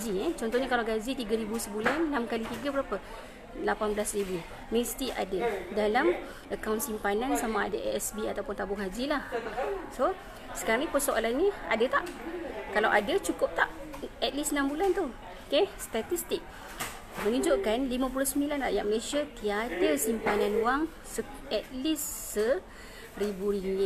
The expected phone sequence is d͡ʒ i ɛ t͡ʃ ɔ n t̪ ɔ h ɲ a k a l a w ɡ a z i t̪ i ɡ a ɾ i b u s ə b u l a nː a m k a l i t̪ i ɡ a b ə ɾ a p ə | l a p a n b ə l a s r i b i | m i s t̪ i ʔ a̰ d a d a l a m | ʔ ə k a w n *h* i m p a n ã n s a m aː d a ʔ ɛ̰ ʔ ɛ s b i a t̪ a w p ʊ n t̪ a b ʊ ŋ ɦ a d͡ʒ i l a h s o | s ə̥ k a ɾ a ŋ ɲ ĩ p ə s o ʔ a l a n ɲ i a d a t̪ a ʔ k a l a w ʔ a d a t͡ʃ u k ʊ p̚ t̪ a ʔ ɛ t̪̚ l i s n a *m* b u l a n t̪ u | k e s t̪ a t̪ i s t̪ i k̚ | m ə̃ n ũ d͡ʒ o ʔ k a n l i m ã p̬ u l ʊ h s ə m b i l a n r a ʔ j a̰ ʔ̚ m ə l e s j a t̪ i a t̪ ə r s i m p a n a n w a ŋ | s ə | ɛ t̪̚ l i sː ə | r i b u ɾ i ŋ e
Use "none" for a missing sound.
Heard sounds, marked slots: s, m

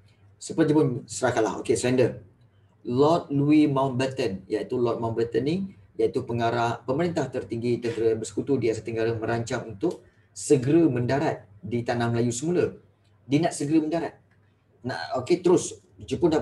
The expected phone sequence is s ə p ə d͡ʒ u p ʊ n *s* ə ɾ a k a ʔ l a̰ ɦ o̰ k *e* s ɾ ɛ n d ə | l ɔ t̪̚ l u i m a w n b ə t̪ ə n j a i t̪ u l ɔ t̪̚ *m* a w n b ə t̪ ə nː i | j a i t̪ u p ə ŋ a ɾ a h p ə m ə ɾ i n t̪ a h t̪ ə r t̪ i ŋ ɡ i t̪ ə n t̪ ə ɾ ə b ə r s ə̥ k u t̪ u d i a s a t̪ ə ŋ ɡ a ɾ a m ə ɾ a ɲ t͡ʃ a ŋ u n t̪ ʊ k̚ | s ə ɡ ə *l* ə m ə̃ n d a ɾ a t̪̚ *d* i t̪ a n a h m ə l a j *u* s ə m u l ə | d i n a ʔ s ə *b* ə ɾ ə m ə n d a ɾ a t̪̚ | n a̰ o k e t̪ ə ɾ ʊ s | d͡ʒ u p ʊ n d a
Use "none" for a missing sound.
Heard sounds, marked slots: s, e, m, ɾ, d, u, ɡ

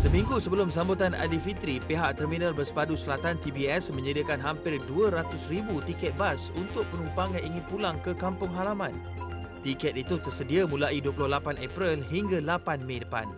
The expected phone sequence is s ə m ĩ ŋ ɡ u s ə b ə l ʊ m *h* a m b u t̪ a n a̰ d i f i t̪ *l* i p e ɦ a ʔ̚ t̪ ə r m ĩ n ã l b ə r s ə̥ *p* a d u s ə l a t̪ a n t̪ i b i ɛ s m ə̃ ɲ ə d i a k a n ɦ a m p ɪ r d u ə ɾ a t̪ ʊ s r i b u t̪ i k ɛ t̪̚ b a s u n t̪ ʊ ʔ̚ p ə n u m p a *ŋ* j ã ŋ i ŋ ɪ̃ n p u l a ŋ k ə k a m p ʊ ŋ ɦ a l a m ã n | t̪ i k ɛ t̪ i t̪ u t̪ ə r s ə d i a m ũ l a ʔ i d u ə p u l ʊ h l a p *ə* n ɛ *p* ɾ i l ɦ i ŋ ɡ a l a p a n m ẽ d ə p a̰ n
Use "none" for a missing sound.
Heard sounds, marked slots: s, ɾ, p, ŋ, a, p

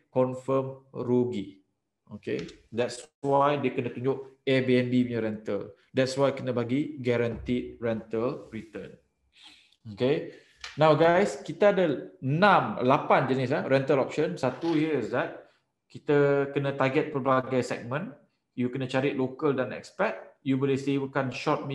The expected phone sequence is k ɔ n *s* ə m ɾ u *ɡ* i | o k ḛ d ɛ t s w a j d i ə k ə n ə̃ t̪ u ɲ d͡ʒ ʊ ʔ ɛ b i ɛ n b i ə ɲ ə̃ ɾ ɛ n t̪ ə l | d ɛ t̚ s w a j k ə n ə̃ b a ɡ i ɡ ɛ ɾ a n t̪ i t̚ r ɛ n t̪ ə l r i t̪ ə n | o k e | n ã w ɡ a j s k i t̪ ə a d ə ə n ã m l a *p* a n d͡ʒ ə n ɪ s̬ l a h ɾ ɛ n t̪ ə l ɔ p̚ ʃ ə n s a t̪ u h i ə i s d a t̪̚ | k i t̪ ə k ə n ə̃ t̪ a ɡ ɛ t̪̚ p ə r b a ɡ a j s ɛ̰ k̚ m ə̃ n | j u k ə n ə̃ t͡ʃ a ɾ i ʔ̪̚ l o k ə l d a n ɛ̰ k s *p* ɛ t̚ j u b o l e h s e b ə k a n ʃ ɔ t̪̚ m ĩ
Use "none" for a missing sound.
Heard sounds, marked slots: f, ɡ, p, p

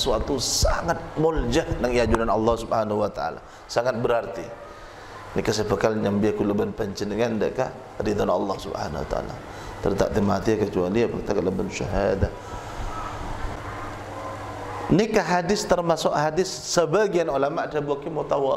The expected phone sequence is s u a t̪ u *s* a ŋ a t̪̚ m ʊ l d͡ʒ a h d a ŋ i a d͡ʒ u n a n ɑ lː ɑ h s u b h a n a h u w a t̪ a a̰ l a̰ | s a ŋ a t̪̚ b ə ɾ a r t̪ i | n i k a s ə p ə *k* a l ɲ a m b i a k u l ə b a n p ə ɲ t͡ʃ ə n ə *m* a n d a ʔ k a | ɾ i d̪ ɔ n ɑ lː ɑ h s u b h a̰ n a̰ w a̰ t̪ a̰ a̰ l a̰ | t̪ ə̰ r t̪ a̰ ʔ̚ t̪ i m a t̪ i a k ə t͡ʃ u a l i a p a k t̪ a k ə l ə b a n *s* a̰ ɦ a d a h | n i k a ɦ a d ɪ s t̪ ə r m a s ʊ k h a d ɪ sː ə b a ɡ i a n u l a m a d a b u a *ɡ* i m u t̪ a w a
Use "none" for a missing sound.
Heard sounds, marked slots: s, k, ŋ, ʃ, k

